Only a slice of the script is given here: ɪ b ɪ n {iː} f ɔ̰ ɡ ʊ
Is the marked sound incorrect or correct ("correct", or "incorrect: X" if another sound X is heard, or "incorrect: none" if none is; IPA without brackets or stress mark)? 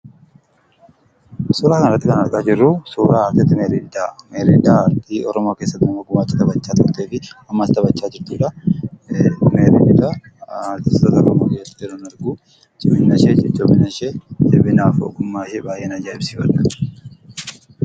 incorrect: aː